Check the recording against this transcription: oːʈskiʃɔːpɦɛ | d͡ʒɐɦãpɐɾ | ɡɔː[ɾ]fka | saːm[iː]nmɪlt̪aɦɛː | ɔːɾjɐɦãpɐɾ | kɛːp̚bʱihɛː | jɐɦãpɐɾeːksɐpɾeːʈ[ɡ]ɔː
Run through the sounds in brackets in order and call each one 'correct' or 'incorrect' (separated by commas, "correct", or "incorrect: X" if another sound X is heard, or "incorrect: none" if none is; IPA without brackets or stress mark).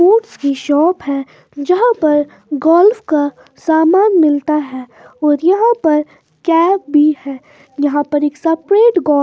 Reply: incorrect: l, incorrect: aː, correct